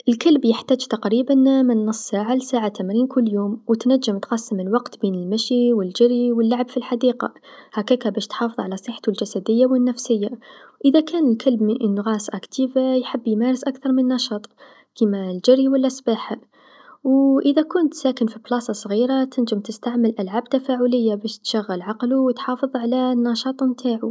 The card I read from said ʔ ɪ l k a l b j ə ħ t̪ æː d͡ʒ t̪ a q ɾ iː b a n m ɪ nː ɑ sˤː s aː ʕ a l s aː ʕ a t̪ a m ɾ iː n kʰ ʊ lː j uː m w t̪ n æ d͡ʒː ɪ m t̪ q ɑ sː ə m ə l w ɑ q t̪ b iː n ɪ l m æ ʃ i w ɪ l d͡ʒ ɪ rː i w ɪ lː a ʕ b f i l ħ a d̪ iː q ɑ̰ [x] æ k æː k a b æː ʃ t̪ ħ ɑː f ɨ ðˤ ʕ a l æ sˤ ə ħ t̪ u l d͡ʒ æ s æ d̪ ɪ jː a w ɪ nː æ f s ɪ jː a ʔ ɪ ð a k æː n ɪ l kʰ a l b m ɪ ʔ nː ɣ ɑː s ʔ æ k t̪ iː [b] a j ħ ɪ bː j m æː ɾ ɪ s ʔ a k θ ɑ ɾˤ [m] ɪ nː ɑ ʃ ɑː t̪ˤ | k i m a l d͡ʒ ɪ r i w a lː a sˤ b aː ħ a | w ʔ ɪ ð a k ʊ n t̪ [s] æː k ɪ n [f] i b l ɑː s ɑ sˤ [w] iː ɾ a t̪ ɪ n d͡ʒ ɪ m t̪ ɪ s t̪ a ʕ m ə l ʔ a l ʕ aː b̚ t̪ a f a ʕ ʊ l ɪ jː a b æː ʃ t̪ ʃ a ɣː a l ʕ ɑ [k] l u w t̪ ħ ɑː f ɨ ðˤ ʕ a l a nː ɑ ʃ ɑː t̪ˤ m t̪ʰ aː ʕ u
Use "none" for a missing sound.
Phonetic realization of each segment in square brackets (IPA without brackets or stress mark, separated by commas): h, v, m, s, f, ɣ, q